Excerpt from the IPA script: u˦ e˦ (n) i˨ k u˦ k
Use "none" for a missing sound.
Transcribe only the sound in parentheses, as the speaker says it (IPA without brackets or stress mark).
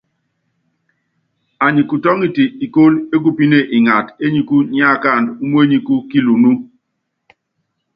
ɲ